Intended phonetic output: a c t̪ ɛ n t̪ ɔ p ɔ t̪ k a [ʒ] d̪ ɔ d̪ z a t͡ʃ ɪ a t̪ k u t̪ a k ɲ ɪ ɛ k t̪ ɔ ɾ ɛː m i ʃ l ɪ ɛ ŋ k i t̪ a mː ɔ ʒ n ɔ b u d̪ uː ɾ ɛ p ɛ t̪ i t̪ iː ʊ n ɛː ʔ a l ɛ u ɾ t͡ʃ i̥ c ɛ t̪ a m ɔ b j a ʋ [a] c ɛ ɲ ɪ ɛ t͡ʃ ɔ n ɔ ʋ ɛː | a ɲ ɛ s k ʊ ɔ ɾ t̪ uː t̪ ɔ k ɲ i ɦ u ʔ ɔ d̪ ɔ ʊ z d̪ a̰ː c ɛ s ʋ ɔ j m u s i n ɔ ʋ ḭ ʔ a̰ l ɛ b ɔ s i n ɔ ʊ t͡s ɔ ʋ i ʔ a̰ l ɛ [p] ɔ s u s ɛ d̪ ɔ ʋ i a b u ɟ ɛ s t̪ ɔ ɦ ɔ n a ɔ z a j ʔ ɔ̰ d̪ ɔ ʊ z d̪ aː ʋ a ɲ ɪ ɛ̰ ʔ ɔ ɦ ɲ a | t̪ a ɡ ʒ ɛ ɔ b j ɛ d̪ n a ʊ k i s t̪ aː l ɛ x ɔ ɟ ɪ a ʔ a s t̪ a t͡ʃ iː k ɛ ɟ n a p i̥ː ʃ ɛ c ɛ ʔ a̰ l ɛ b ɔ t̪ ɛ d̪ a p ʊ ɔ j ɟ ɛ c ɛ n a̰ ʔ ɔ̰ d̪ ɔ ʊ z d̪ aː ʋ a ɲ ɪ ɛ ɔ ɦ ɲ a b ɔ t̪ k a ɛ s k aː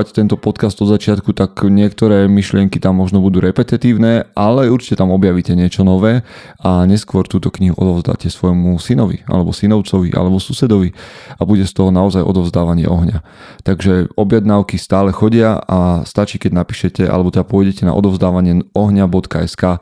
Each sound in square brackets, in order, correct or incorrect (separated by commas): incorrect, incorrect, incorrect